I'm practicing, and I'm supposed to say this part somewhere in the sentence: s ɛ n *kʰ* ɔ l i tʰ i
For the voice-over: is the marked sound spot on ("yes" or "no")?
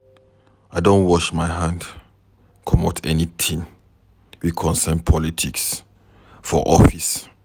no